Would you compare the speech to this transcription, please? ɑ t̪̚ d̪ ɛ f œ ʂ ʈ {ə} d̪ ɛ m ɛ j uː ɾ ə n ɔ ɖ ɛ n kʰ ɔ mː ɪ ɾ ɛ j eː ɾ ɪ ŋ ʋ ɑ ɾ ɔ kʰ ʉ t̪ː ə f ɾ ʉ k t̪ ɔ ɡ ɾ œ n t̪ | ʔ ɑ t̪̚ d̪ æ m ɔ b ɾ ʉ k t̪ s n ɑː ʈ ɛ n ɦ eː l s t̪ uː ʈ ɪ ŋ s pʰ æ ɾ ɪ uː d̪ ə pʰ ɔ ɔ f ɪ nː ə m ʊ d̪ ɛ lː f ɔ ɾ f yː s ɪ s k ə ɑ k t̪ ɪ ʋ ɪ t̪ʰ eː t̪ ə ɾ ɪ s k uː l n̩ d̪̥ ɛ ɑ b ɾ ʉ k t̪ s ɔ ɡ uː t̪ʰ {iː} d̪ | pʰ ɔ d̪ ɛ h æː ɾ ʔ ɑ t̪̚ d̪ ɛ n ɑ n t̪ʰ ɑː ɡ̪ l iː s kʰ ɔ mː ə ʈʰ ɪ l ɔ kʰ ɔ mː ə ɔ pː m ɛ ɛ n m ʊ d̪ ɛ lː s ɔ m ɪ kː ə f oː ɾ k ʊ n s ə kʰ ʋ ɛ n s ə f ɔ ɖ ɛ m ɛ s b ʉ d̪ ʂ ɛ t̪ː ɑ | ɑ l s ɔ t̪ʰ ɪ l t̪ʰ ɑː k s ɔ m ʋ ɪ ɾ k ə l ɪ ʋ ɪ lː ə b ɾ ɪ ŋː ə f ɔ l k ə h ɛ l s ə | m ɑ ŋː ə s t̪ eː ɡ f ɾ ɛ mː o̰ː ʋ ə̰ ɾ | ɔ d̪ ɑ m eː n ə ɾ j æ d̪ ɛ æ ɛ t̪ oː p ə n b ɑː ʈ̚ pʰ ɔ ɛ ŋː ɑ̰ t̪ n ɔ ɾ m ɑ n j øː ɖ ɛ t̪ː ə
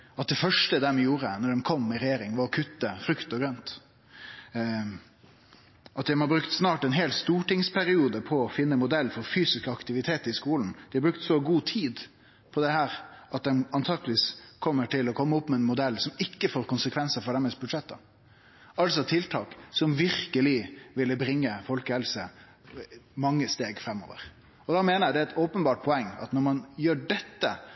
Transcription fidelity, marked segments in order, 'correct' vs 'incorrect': correct, correct

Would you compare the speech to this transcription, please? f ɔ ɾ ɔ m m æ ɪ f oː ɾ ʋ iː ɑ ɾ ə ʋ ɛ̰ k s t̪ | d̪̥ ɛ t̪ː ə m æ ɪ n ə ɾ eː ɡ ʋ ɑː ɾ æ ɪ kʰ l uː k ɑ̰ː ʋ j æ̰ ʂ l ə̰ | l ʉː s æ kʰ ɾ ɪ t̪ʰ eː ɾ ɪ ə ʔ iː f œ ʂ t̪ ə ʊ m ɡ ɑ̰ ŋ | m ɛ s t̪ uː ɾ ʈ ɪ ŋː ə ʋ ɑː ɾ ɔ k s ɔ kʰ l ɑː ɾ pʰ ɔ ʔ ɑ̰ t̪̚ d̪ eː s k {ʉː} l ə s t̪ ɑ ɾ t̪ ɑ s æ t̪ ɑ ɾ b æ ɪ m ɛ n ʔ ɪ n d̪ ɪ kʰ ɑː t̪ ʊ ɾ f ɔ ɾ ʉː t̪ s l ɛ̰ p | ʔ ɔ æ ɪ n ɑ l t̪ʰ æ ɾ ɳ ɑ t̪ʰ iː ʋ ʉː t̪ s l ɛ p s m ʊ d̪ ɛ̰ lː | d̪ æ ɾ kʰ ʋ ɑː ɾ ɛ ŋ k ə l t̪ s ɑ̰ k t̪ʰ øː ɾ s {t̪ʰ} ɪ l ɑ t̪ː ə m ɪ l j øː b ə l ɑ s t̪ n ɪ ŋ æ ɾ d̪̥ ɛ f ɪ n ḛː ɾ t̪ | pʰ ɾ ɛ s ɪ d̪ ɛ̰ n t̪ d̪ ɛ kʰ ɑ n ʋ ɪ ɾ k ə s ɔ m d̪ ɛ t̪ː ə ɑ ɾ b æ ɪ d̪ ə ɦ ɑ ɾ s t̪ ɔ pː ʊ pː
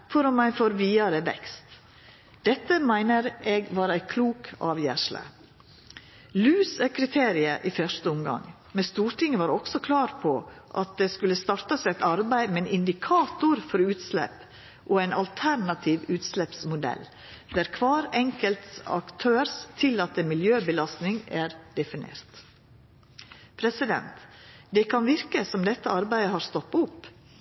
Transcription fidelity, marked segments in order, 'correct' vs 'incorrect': incorrect: ʉ, correct

